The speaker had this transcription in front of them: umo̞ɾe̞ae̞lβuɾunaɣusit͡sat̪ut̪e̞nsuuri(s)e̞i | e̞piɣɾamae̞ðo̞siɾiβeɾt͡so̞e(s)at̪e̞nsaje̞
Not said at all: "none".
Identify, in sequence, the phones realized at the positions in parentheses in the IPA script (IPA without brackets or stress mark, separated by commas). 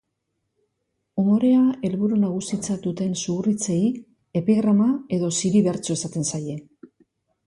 t͡s, s